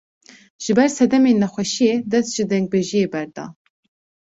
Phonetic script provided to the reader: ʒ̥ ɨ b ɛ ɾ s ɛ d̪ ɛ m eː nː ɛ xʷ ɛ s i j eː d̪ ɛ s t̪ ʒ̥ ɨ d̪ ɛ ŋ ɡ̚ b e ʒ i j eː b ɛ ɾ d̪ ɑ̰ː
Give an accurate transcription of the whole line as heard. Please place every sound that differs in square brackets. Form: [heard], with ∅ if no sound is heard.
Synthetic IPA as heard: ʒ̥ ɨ b ɛ ɾ s ɛ d̪ ɛ m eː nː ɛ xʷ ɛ [ʃ] i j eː d̪ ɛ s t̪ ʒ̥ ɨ d̪ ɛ ŋ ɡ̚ b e ʒ i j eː b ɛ ɾ d̪ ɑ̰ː